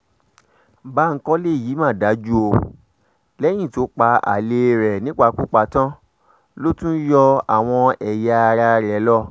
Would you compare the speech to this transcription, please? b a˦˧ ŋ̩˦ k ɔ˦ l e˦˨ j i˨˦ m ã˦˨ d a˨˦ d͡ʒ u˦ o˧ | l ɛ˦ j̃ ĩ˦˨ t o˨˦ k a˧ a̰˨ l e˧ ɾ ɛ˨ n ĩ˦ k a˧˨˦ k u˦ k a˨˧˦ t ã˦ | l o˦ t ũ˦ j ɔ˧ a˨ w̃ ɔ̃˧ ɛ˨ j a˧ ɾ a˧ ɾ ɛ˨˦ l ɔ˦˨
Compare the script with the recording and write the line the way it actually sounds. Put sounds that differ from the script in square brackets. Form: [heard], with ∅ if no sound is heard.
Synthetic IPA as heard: b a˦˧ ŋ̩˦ k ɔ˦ l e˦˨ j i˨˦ m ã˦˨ d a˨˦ d͡ʒ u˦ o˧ | l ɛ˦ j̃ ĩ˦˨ t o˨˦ [k͡p] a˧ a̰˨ l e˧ ɾ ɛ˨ n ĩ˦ [k͡p] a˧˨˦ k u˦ [k͡p] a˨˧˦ t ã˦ | l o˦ t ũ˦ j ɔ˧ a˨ w̃ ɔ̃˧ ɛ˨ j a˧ ɾ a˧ ɾ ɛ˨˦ l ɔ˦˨